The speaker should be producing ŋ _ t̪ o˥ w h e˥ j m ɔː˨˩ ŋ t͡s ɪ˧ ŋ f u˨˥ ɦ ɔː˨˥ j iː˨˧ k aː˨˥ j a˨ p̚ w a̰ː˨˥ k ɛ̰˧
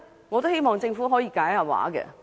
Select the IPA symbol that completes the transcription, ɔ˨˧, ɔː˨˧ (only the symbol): ɔ˨˧